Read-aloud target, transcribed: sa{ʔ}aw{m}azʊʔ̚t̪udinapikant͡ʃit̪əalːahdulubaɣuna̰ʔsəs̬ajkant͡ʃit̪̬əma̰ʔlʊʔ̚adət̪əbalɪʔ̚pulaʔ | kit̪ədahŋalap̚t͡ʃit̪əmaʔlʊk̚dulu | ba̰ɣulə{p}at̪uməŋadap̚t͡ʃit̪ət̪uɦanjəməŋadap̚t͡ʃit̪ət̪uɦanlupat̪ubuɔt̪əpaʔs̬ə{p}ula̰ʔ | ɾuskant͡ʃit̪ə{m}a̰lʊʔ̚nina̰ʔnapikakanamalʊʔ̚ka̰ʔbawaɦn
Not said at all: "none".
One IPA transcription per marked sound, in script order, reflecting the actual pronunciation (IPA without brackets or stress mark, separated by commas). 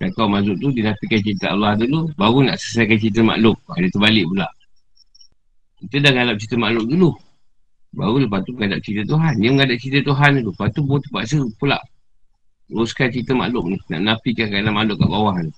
k, m, p, p, m